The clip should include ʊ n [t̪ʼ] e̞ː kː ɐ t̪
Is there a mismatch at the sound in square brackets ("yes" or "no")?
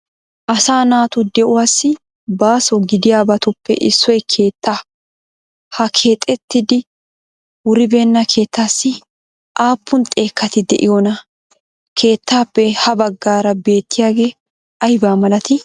no